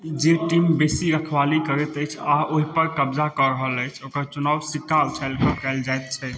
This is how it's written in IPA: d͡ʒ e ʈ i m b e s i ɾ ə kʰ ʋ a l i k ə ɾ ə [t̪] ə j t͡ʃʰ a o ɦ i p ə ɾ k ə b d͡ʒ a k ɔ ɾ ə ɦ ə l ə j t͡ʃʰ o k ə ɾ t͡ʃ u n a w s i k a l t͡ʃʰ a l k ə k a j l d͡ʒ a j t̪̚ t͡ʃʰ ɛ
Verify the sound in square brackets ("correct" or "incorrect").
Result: correct